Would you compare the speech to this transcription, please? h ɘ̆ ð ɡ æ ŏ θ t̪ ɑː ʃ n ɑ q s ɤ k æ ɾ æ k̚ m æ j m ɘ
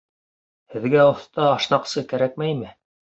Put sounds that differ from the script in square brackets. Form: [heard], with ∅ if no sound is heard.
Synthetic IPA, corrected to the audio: h ɘ̆ ð ɡ æ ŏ θ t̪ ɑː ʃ n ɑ q s ɤ k æ ɾ æ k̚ m æ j m ɘ